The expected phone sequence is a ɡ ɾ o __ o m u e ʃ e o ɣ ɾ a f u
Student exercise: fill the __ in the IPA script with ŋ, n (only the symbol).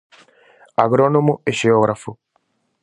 n